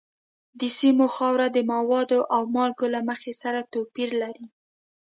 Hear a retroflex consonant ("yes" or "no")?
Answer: no